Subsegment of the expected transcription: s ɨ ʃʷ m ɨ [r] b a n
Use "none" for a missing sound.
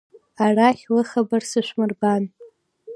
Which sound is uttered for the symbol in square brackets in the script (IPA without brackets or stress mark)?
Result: r